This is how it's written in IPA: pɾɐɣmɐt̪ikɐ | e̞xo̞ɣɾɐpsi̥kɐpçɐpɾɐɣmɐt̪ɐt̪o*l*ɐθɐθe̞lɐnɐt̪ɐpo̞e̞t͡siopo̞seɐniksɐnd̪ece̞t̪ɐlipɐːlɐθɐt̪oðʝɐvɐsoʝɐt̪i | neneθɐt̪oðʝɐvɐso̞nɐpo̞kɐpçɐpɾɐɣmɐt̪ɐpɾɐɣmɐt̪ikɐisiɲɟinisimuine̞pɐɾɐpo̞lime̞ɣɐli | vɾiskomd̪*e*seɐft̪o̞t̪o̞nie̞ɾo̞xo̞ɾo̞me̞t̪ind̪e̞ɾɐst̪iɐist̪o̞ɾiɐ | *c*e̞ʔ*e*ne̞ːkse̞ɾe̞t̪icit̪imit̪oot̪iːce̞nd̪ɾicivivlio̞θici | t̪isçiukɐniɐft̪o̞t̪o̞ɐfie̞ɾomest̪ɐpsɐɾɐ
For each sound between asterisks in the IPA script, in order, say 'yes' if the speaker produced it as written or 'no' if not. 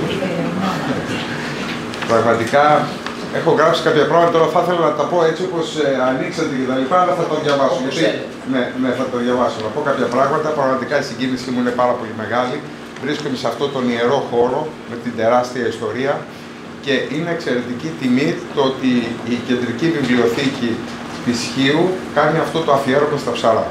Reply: no, yes, yes, no

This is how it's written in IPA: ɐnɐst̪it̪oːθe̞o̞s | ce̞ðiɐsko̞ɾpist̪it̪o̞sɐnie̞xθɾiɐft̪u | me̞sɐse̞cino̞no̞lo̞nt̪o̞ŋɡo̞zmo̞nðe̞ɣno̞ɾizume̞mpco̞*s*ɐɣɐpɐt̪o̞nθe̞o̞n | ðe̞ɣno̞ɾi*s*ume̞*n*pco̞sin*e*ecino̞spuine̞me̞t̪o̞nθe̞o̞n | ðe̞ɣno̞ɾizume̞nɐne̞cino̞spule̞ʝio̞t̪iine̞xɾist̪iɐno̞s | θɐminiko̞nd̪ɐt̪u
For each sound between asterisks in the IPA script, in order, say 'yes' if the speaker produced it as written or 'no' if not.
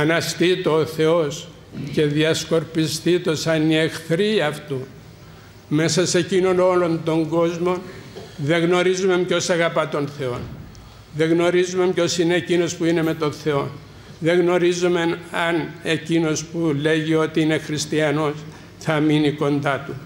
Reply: yes, no, no, yes

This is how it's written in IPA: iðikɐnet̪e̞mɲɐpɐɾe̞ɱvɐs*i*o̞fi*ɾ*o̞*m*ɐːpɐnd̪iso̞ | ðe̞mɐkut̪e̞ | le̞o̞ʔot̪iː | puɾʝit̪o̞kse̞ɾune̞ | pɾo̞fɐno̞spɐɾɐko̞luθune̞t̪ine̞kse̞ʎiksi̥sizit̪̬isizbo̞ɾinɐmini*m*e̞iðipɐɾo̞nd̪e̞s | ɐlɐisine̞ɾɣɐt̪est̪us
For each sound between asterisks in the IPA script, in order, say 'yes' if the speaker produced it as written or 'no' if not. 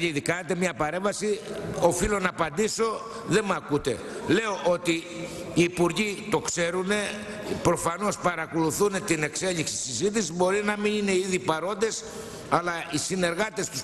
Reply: yes, no, no, no

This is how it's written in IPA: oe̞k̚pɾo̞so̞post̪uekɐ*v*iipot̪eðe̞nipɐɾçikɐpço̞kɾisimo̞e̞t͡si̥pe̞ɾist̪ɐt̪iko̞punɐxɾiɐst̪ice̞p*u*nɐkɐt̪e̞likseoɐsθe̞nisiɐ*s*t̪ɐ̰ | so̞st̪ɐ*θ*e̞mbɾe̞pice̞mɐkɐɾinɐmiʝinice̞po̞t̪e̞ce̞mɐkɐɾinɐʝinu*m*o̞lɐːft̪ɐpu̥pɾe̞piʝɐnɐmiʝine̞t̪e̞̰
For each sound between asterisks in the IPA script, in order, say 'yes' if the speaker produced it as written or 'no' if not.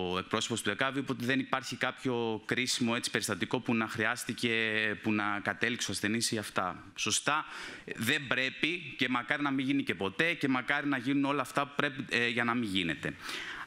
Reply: yes, yes, no, no, no

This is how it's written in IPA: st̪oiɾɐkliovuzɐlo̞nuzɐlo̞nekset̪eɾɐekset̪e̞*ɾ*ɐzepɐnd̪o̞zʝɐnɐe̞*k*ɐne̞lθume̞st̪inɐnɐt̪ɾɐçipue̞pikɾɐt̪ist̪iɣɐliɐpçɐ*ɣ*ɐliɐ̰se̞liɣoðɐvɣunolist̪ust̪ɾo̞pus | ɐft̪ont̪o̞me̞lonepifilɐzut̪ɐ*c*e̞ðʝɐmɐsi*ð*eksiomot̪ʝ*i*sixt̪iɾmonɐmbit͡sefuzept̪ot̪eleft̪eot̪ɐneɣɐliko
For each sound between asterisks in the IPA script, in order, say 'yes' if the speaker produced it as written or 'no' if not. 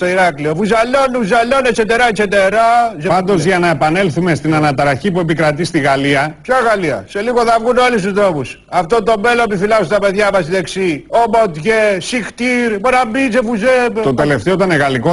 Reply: yes, no, yes, no, yes, no

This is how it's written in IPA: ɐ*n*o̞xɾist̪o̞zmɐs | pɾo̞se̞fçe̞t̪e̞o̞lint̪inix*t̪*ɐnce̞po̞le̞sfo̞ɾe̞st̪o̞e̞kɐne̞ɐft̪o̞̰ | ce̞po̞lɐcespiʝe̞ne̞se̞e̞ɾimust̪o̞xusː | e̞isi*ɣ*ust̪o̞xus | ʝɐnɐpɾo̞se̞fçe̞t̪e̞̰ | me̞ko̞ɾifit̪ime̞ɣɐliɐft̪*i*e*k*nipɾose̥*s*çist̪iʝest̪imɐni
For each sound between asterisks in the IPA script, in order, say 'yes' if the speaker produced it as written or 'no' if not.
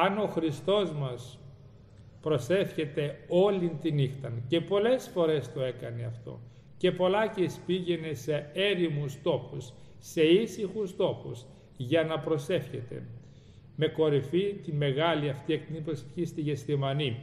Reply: yes, yes, no, yes, yes, no

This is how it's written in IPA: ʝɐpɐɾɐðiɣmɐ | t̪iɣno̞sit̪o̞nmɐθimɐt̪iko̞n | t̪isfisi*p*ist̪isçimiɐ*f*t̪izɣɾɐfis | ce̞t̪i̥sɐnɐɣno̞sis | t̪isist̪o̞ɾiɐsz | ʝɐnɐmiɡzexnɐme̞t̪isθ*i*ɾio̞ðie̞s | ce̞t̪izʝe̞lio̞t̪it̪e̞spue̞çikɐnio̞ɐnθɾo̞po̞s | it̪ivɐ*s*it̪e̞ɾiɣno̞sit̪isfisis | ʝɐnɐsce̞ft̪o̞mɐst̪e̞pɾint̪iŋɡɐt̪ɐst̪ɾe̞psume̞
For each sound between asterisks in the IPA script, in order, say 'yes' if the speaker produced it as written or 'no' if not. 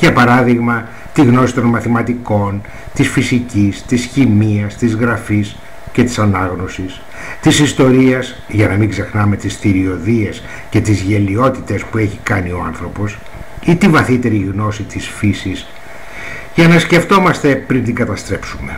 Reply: no, no, yes, no

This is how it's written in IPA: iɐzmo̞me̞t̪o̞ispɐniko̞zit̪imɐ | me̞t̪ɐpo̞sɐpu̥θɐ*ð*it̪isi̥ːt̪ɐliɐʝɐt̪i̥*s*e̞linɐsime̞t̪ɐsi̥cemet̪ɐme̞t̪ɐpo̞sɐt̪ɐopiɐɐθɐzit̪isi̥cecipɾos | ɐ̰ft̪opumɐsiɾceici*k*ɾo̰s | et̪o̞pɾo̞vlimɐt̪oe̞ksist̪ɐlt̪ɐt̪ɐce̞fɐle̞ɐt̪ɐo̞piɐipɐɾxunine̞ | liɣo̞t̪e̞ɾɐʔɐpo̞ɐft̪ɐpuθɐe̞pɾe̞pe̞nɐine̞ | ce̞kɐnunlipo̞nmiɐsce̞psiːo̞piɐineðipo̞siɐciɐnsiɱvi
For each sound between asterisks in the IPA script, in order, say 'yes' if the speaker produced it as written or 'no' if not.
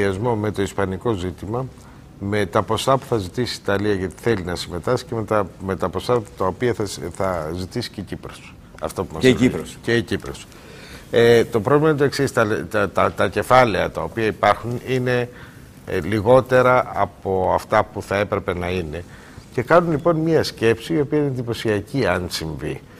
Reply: no, no, no

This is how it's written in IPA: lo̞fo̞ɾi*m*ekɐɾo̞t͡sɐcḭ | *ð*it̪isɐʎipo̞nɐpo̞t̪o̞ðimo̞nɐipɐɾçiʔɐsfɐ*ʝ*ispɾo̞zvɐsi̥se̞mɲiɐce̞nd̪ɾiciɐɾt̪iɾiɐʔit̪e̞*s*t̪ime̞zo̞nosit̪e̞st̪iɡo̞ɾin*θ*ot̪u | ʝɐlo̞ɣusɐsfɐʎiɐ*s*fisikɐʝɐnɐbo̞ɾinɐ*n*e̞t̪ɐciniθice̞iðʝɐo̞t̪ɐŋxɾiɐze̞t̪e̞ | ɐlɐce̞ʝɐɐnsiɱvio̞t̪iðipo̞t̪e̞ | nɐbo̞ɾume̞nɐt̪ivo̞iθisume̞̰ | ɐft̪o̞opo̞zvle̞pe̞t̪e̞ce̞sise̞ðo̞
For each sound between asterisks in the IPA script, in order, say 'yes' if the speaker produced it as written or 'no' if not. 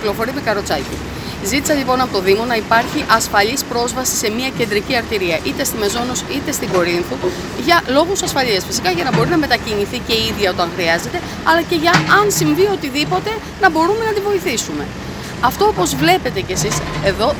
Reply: yes, no, no, yes, yes, yes, no

